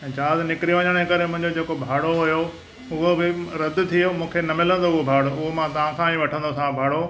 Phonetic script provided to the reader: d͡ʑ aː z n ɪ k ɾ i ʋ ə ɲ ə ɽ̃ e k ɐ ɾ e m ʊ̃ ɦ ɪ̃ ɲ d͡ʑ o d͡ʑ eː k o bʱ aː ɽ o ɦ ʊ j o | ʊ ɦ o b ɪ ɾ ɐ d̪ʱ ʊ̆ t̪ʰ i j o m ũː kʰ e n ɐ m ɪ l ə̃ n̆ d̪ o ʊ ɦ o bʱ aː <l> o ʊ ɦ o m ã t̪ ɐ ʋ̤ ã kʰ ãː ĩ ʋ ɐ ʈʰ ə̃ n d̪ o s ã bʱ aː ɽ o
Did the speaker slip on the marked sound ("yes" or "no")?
yes